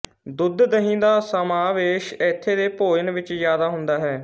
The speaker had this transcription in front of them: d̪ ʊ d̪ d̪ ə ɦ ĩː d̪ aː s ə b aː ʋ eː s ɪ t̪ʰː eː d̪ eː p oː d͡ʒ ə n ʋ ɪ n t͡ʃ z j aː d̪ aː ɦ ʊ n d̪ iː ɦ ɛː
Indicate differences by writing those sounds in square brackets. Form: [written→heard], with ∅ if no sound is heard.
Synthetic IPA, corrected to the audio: d̪ ʊ d̪ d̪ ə ɦ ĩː d̪ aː s ə [b→m] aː ʋ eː [s→ʃ] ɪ t̪ʰː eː d̪ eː p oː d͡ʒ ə n ʋ ɪ [n→∅] t͡ʃ z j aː d̪ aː ɦ ʊ n d̪ [iː→aː] ɦ ɛː